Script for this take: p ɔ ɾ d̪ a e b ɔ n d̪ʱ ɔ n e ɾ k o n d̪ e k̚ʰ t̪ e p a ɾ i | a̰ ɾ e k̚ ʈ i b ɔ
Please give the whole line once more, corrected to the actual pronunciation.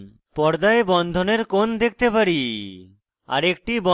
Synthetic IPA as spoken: p ɔ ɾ d̪ a e b ɔ n d̪ʱ o n e ɾ k o n d̪ e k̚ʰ t̪ e p a ɾ i | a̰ ɾ e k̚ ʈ i b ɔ